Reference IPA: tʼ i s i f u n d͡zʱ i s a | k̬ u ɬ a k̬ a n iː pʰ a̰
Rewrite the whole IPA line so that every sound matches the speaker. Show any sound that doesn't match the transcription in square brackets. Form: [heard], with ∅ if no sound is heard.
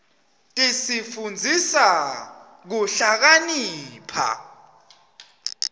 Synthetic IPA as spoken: tʼ i s i f u n d͡zʱ i s a | k̬ u ɬ a k̬ a n iː pʰ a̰